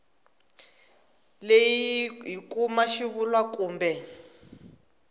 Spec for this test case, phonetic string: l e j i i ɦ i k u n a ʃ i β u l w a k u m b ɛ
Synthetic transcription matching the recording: l e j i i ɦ i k u m a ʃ i β u l w a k uː m b ɛ